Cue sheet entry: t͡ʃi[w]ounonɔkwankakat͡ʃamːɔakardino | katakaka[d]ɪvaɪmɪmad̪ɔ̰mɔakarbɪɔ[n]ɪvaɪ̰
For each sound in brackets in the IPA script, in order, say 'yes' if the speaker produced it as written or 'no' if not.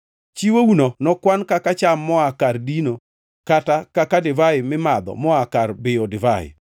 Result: yes, yes, no

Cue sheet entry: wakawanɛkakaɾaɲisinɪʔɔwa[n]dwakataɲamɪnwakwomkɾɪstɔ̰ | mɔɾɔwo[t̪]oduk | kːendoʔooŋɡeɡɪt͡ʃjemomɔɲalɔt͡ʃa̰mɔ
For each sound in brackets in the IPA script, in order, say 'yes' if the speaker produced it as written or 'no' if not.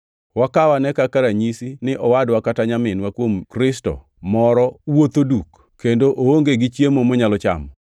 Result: no, yes

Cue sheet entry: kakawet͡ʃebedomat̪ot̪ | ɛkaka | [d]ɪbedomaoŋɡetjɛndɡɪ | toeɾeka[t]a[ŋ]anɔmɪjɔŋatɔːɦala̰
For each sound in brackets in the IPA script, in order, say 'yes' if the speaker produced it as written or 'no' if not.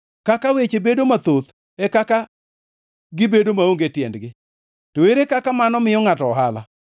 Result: no, no, no

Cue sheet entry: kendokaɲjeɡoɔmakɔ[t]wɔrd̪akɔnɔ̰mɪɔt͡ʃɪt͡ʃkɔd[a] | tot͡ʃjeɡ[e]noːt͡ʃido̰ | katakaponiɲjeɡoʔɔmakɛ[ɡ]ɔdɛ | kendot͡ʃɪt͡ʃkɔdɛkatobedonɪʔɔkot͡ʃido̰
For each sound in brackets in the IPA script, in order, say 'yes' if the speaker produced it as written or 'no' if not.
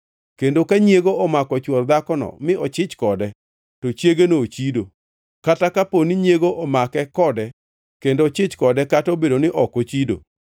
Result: no, no, yes, no

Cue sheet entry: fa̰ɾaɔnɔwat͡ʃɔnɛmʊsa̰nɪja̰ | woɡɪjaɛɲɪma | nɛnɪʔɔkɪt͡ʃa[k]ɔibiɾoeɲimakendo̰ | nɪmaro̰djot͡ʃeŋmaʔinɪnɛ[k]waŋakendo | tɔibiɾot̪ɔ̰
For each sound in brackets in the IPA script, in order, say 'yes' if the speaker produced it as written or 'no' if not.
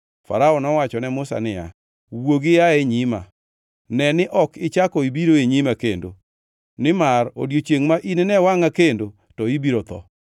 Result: yes, no

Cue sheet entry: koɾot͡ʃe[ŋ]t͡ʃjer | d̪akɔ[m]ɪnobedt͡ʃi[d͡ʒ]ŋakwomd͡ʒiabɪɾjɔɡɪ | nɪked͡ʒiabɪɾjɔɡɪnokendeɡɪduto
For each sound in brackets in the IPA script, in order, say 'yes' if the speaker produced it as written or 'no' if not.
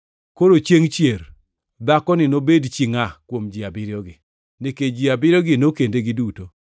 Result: yes, no, no

